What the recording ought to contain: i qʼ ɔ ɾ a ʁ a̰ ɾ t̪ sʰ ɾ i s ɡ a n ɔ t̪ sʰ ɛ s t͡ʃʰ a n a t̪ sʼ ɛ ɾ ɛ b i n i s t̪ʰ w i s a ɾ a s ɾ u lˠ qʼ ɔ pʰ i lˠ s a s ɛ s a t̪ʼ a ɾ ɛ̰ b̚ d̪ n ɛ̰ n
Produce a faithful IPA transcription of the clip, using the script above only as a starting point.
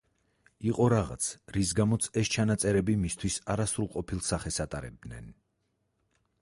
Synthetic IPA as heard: i qʼ ɔ ɾ a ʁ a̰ t̪ sʰ ɾ i s ɡ a m ɔ t̪ sʰ ɛ s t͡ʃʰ a n a t̪ sʼ ɛ ɾ ɛ b i m i s t̪ʰ w i s a ɾ a s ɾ u lˠ qʼ ɔ pʰ i lˠ s a χ ɛ s a t̪ʼ a ɾ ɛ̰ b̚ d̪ n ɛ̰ n